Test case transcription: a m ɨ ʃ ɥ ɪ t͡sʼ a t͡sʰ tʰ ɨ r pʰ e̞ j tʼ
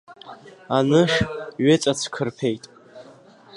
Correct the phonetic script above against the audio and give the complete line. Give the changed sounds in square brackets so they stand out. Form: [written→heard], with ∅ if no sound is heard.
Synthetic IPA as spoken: a [m→n] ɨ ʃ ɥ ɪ t͡sʼ a t͡sʰ [tʰ→kʰ] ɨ r pʰ e̞ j tʼ